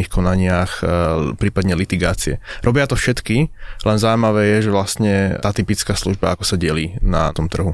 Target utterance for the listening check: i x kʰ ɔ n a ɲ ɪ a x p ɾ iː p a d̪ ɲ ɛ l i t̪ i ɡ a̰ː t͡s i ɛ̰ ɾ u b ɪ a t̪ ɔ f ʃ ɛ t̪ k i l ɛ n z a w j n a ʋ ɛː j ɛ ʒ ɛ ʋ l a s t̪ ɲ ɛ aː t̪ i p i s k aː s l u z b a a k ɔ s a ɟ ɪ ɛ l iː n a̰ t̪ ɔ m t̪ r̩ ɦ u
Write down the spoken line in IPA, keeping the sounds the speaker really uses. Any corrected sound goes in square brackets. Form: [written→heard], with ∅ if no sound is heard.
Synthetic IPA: i x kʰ ɔ n a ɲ ɪ a x p ɾ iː p a d̪ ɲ ɛ l i t̪ i ɡ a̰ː t͡s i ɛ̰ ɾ [u→ɔ] b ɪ a t̪ ɔ f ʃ ɛ t̪ k i l ɛ n z a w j [n→m] a ʋ ɛː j ɛ ʒ ɛ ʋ l a s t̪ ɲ ɛ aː t̪ i p i [s→t͡s] k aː s l u [z→ʒ] b a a k ɔ s a ɟ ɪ ɛ l iː n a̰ t̪ ɔ m t̪ r̩ ɦ u